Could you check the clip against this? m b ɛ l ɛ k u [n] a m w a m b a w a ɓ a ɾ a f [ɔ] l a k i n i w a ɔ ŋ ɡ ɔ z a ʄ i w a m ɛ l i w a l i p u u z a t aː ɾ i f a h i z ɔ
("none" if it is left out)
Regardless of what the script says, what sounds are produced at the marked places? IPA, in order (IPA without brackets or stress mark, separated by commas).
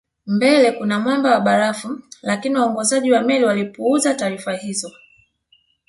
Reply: n, u